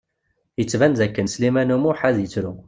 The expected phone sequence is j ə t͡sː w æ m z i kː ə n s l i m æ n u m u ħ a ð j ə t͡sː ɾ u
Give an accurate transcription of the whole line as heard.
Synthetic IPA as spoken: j ə t͡sː v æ n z æ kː ə n s l i m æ n u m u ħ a ð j ə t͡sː ɾ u